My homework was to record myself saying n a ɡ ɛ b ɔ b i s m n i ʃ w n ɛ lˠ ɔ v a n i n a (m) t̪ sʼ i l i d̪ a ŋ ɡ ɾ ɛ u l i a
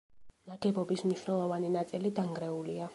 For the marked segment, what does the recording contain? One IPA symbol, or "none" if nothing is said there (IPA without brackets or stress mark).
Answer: none